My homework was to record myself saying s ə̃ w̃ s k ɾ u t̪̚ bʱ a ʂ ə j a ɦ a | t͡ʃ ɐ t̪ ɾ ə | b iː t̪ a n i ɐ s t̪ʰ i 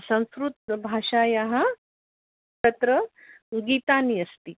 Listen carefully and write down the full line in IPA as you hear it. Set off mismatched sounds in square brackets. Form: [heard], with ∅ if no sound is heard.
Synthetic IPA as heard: s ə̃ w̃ s k ɾ u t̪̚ bʱ a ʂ [a] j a ɦ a | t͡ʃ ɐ t̪ ɾ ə | [ɡ] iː t̪ a n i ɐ s [t̪] i